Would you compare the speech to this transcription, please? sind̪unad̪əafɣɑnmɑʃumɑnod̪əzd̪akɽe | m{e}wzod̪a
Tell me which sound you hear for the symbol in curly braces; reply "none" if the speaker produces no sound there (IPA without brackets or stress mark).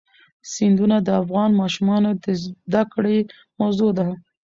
a